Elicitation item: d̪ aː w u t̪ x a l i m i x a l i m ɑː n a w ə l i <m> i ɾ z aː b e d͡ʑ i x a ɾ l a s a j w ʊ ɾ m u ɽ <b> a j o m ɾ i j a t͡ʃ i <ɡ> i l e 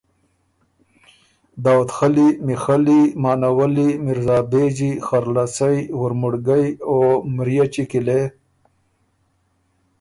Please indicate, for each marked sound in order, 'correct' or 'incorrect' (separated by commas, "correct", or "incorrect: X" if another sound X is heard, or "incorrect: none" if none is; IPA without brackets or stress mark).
correct, incorrect: ɡ, incorrect: k